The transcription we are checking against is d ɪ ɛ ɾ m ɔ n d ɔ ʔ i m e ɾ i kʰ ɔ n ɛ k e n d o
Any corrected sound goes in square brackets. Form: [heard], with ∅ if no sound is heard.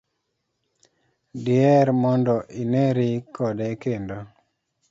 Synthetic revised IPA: d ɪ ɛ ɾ m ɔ n d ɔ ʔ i [n] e ɾ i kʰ ɔ [d] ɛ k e n d o